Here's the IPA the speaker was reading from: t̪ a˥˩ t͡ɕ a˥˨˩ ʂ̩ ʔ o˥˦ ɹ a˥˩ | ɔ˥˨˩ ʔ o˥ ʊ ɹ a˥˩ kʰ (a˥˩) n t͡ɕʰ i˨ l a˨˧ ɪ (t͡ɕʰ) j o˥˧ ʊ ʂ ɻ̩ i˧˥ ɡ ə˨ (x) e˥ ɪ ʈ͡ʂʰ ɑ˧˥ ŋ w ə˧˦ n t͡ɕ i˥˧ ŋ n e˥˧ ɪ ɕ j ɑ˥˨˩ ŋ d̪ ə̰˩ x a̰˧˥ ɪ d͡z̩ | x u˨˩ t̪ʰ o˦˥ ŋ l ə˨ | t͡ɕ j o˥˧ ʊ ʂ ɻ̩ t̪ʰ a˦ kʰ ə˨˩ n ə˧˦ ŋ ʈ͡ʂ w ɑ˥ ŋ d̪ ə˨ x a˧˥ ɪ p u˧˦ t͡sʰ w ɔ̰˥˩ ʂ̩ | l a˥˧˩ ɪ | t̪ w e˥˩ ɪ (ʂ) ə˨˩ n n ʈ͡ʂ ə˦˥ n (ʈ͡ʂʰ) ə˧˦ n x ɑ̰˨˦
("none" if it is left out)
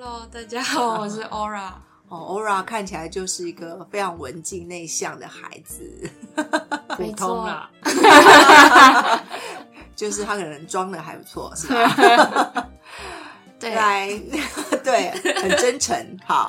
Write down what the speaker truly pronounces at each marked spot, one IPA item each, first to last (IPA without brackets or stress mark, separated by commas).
a˥˩, t͡ɕ, f, x, ʈ͡ʂʰ